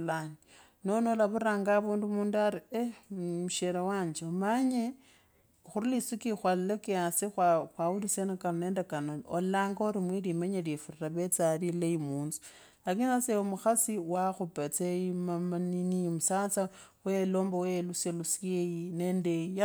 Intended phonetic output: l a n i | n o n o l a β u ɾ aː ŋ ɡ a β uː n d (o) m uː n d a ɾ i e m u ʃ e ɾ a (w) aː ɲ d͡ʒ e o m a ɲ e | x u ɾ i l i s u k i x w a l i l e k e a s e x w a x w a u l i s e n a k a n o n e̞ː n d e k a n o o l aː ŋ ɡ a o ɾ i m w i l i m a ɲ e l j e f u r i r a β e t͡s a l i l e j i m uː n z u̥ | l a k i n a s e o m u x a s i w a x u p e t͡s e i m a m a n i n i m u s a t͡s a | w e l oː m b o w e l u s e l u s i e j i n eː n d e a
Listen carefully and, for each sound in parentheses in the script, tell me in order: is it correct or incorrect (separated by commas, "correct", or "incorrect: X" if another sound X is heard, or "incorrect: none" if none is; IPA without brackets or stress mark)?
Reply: incorrect: u, correct